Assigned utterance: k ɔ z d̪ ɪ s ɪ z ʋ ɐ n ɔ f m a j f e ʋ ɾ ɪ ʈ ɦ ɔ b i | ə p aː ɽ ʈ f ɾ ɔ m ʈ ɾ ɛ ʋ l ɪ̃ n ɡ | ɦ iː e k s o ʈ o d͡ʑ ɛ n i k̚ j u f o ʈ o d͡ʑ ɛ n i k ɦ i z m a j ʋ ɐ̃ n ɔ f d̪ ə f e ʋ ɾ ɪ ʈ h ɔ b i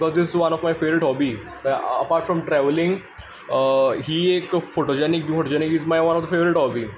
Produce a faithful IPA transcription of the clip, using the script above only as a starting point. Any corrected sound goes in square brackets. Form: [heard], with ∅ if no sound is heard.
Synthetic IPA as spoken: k ɔ z d̪ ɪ s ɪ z ʋ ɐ n ɔ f m a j f e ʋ ɾ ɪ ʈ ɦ ɔ b i | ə p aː [ɾ] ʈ f ɾ ɔ m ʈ ɾ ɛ ʋ l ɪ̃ [ŋ] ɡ | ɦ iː e k [f] o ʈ o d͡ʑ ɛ n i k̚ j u f o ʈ o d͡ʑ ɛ n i k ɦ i z m a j ʋ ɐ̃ n ɔ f d̪ ə f e ʋ ɾ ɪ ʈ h ɔ b i